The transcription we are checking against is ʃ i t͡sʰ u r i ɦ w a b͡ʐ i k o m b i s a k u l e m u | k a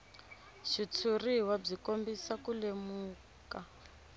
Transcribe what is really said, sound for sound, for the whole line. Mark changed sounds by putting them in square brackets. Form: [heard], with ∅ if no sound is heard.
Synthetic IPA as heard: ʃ i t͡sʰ u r i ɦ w a b͡ʐ i k o m b i s a k u l e m [uː] | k a